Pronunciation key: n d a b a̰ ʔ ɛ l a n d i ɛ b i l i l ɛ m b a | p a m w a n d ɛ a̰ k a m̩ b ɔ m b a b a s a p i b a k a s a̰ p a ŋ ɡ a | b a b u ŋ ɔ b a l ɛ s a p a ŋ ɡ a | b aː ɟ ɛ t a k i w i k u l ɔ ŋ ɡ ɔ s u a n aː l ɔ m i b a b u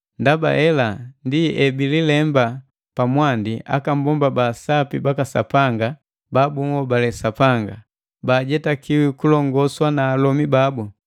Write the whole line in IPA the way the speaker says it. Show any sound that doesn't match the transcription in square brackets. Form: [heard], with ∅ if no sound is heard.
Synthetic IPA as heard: n d a b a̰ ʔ ɛ l a n d i ɛ b i l i l ɛ m b a | p a m w a n d [i] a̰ k a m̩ b ɔ m b a b a s a p i b a k a s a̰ p a ŋ ɡ a | b a b u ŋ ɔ b a l ɛ s a p a ŋ ɡ a | b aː ɟ ɛ t a k i w i k u l ɔ ŋ ɡ ɔ s [w] a n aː l ɔ m i b a b u